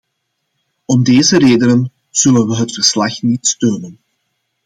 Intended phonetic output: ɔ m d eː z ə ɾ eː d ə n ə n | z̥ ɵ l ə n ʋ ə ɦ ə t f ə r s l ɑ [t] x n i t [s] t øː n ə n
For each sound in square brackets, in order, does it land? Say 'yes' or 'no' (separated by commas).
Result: no, yes